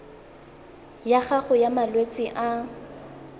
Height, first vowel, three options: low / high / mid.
low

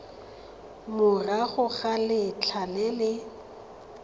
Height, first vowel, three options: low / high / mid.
high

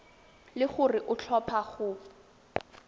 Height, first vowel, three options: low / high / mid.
high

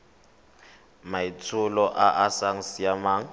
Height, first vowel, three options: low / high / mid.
low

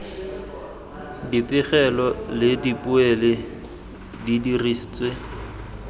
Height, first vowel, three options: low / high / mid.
high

